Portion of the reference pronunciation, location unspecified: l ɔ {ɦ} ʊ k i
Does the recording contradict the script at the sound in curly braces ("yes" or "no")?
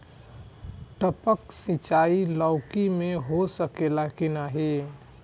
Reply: yes